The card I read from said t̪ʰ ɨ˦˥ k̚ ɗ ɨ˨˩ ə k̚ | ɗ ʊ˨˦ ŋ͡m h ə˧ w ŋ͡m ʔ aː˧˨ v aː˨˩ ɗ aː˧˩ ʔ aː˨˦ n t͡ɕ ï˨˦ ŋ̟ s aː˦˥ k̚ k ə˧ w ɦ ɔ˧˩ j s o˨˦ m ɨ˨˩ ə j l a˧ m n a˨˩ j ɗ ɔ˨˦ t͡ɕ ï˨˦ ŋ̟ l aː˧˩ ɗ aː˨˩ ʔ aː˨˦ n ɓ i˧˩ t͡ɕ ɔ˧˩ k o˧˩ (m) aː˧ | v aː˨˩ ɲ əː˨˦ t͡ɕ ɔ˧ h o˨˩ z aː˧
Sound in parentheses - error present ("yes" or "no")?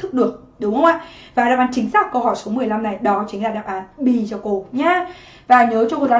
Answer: yes